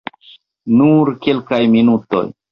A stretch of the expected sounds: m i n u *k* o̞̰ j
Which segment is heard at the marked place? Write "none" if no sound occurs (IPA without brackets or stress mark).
t